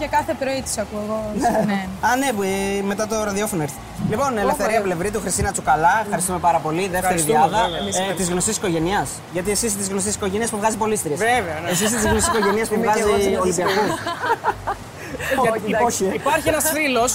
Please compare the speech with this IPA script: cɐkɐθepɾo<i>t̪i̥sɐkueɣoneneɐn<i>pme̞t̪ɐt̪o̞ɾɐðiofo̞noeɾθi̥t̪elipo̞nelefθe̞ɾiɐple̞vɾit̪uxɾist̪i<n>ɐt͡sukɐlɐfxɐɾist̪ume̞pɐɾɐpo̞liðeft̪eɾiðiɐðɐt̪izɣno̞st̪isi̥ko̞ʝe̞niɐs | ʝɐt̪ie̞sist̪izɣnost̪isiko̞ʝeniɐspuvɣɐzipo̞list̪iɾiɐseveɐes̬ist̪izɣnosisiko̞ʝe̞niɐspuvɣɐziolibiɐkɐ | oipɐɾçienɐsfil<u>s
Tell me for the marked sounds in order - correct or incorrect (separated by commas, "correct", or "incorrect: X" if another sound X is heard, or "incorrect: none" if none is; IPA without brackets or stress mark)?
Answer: correct, incorrect: e, correct, incorrect: o